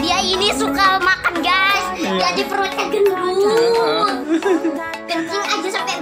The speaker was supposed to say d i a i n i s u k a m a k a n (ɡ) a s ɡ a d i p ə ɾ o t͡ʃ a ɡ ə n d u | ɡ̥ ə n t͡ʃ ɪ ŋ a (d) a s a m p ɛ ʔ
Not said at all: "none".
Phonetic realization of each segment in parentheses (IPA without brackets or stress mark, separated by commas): ɡ, d͡ʒ